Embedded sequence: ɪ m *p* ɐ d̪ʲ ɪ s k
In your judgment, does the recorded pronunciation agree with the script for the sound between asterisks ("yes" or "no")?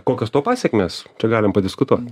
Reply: yes